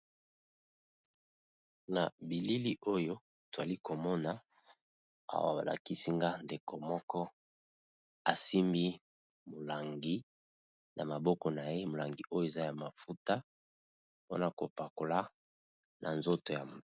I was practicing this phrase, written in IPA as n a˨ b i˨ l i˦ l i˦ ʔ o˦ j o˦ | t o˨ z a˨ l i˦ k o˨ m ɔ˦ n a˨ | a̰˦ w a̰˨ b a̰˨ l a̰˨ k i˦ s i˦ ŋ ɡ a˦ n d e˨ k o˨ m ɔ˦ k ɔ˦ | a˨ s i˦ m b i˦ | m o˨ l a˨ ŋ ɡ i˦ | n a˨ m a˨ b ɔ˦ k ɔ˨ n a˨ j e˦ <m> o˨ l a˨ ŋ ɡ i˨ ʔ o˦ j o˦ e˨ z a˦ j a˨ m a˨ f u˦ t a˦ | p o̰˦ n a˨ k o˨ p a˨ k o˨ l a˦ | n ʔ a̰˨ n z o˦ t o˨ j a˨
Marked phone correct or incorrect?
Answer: correct